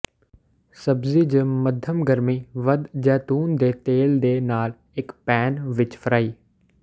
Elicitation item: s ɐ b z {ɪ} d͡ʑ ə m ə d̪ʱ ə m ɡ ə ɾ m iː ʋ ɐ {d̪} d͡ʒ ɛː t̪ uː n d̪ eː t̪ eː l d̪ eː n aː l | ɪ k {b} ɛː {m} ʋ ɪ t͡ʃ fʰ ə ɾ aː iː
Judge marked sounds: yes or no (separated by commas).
no, yes, no, no